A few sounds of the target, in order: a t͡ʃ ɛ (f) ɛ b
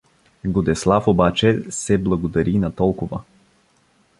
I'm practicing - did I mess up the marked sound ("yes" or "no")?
yes